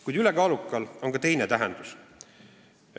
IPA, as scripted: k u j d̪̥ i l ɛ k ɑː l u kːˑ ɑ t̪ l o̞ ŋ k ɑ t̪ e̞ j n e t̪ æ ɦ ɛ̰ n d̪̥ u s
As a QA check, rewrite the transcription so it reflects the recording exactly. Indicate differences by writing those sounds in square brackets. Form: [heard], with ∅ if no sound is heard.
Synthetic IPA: k u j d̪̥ [y] l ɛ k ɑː l u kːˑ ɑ [∅] l o̞ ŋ k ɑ t̪ e̞ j n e t̪ æ ɦ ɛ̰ n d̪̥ u s